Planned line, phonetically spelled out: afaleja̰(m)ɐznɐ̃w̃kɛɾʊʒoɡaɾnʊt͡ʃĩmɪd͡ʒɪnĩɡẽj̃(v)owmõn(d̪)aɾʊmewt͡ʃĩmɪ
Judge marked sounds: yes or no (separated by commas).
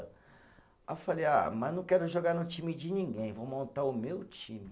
yes, yes, no